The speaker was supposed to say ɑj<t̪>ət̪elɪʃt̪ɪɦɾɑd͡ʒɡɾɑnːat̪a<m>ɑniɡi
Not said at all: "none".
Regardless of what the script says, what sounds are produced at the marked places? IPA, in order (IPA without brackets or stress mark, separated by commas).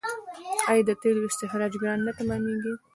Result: d̪, m